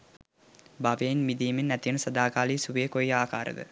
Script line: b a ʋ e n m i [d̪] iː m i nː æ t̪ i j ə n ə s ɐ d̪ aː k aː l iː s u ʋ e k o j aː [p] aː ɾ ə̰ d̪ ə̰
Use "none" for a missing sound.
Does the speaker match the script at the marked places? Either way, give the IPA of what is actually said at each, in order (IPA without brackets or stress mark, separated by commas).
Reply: d̪, k